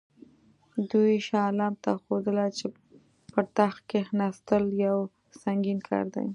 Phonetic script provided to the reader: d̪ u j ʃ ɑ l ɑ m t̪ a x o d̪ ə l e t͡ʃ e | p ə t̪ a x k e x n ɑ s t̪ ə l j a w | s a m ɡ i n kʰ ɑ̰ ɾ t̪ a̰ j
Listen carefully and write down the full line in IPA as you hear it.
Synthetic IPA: d̪ u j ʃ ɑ l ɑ m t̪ a x o d̪ ə l a t͡ʃ e | p ə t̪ a x k e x n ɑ s t̪ ə l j a w | s a ŋ ɡ i n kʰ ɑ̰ ɾ d̪ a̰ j